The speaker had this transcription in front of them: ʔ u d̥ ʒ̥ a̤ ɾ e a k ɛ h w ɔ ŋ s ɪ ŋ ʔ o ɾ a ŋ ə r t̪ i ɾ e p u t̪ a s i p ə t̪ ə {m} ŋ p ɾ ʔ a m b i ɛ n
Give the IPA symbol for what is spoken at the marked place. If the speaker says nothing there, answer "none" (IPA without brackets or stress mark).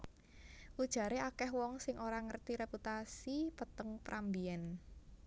none